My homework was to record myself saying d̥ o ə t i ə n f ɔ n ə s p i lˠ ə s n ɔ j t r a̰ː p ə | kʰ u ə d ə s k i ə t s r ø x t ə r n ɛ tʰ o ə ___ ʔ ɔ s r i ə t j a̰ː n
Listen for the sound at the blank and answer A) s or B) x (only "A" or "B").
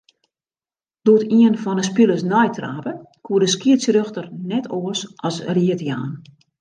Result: A